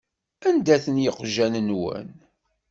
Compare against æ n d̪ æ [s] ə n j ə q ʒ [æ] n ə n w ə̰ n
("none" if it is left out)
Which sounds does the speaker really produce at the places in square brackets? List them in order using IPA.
θ, æ

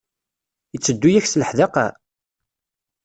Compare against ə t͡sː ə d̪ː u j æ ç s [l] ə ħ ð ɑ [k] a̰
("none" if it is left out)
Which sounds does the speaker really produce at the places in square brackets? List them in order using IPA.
l, q

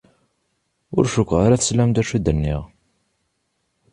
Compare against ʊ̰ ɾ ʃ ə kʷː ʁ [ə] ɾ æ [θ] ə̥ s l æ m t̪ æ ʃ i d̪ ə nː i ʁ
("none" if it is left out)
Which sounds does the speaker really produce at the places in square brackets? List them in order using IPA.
a, θ

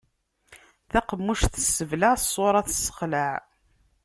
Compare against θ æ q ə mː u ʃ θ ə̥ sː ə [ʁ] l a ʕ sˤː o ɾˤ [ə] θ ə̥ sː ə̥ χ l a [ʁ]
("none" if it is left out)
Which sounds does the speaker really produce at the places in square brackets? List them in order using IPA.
v, ɑ, ʕ

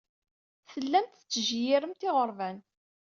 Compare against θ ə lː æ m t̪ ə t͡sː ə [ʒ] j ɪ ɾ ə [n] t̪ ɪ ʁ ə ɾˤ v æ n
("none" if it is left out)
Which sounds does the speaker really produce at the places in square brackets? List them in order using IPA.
ʒ, m

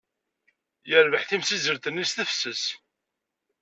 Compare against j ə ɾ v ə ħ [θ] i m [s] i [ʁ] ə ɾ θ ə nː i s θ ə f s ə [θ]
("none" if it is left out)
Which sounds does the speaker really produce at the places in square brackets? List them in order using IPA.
θ, s, z, s

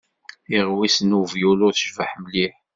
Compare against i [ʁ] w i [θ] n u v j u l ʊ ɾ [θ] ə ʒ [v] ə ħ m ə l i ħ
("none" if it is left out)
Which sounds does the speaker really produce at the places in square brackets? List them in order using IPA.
ʁ, s, θ, v

